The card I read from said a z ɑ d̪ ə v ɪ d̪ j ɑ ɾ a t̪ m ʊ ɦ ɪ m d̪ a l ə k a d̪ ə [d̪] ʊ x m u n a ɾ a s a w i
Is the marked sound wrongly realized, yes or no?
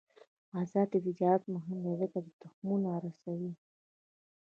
yes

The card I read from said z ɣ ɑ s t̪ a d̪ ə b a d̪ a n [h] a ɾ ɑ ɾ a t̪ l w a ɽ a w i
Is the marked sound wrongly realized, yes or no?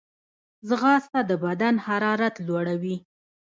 no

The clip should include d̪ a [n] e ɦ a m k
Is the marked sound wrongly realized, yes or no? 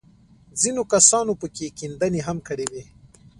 no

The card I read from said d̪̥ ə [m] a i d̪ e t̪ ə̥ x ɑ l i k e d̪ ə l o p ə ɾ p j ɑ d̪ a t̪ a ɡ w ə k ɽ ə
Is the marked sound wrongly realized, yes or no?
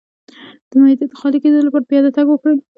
no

